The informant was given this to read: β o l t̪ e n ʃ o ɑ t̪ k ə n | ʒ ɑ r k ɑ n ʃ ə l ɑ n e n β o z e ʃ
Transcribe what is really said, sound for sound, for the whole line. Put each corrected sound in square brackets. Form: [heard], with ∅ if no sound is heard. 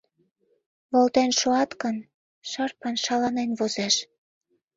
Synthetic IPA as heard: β o l t̪ e n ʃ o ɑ t̪ k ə n | [ʃ] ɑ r [p] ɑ n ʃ [ɑ] l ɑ n e n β o z e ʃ